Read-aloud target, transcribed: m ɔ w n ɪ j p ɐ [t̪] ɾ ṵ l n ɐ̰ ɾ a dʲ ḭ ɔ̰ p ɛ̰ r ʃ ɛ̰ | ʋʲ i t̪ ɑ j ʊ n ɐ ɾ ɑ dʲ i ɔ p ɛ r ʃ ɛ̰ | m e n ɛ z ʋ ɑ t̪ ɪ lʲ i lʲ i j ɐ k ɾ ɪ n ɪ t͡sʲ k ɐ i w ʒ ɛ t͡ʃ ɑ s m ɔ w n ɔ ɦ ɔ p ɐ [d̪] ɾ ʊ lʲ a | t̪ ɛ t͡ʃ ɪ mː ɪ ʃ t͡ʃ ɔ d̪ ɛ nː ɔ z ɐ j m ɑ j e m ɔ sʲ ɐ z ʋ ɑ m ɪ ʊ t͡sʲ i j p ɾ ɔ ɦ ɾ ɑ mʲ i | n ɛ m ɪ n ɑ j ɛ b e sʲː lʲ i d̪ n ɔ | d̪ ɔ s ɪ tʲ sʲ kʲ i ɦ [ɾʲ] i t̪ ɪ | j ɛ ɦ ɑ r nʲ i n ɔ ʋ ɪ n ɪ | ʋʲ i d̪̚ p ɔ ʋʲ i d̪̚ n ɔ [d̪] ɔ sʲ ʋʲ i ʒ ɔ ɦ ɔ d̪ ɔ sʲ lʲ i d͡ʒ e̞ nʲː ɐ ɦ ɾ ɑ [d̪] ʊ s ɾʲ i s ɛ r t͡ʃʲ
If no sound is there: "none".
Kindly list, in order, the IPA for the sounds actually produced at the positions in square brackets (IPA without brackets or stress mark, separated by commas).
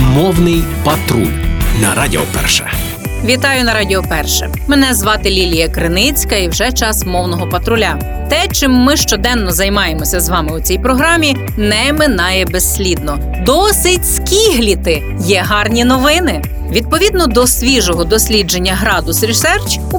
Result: t̪, t̪, lʲ, d̪, d̪